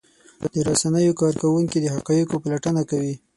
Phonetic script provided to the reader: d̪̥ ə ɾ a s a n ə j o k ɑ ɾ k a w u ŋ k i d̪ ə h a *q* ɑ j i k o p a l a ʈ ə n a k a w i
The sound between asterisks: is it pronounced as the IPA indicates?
yes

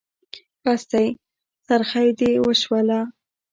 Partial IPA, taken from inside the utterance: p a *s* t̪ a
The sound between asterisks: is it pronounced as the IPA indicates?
yes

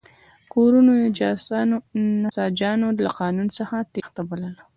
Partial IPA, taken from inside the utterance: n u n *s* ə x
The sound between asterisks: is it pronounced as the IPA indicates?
yes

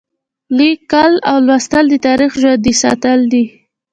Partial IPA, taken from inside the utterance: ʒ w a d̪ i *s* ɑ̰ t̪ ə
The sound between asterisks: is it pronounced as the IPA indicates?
yes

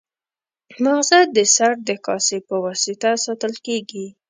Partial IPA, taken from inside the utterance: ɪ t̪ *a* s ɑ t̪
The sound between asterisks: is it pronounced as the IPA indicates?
yes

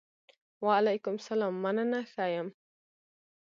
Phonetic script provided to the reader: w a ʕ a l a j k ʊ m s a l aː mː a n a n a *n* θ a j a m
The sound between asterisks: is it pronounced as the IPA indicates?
no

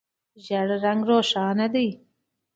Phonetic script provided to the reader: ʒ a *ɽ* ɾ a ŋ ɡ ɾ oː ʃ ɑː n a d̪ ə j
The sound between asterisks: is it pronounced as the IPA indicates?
yes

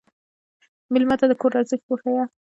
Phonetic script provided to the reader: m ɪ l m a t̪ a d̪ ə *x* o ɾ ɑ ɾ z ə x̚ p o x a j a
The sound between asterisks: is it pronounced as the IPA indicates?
no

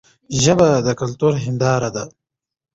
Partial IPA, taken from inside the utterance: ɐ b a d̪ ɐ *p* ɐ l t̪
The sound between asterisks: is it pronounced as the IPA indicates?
no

